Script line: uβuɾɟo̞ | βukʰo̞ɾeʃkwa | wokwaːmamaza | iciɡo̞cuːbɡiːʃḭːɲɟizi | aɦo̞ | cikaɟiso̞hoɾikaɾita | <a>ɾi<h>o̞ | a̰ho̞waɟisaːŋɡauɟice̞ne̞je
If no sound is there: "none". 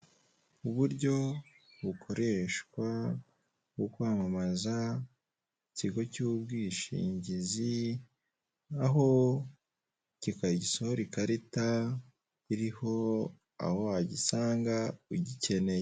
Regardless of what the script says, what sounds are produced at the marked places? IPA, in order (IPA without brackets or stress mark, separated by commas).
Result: i, h